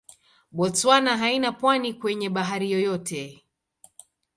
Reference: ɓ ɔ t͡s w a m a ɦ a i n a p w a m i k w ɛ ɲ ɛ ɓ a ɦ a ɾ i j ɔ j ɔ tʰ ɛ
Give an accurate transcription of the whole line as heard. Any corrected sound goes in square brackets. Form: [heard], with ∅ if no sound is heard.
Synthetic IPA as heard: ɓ ɔ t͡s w a [n] a ɦ a i n a p w a [n] i k w ɛ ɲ ɛ ɓ a ɦ a ɾ i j ɔ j ɔ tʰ ɛ